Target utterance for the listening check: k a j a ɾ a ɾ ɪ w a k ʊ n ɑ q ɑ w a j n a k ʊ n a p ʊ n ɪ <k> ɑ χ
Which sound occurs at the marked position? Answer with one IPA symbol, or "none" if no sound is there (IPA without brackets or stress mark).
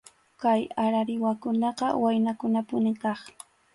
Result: k